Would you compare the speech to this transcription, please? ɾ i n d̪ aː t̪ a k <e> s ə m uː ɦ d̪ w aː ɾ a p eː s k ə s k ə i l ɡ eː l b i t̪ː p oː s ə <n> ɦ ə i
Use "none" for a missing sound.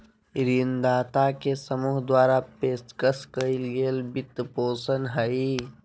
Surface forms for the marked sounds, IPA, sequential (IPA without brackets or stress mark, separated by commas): e, n